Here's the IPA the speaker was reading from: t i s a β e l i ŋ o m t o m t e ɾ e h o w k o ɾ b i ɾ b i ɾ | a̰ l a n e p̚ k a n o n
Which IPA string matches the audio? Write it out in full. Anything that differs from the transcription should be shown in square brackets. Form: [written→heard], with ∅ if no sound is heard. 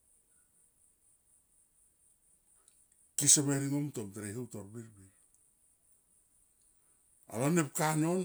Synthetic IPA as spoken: [t→k] i s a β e [l→ɾ] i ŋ o m t o m t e ɾ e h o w [k→t] o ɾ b i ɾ b i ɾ | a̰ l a n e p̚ k a n o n